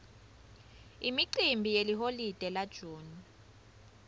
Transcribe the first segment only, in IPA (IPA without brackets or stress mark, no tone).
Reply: i